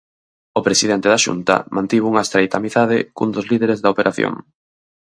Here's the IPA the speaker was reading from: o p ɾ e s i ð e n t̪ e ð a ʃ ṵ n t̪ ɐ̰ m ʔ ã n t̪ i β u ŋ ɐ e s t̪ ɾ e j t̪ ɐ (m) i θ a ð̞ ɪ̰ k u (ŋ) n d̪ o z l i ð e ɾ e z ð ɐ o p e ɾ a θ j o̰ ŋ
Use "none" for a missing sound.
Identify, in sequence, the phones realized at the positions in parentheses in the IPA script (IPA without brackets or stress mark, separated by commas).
m, none